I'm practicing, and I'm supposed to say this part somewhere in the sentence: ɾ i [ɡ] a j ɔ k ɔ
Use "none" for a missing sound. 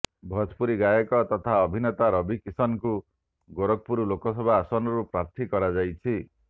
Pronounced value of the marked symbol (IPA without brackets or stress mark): ɡ